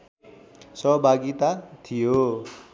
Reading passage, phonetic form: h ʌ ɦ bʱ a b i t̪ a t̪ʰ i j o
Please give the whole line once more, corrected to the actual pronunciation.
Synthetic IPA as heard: s ʌ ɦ bʱ a ɡ i t̪ a t̪ʰ i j o